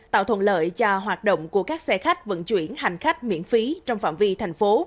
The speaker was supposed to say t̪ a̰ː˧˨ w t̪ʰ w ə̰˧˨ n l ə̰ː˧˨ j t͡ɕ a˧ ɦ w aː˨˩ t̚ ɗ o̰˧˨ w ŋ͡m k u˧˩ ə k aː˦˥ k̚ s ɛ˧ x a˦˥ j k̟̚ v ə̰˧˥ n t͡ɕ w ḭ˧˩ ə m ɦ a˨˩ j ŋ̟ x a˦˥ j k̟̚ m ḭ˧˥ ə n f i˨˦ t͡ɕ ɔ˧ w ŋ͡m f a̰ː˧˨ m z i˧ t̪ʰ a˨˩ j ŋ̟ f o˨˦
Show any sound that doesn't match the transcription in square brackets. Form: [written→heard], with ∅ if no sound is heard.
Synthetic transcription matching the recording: t̪ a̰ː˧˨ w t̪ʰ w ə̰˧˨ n l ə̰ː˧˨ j t͡ɕ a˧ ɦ w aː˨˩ t̚ ɗ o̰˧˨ w ŋ͡m k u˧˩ ə k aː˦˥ k̚ s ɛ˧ x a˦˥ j k̟̚ v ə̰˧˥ n t͡ɕ w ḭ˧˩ ə [m→n] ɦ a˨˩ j ŋ̟ x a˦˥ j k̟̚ m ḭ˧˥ ə n f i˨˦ t͡ɕ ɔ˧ w ŋ͡m f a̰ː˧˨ m [z→v] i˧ t̪ʰ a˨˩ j ŋ̟ f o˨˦